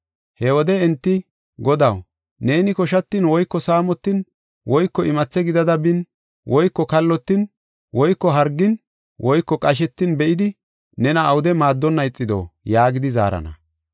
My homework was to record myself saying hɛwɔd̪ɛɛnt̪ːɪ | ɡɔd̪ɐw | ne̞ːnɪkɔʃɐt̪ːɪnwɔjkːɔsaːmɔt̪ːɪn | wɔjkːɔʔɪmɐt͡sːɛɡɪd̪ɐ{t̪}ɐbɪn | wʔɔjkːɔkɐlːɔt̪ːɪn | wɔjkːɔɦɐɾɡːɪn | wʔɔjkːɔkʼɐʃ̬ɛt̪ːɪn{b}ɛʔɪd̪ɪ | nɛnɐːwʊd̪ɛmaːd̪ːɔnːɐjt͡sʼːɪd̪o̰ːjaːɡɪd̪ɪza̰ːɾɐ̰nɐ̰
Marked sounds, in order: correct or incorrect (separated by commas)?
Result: incorrect, correct